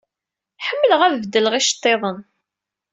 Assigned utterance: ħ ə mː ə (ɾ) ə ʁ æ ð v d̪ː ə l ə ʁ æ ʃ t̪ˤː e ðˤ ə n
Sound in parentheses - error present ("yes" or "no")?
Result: yes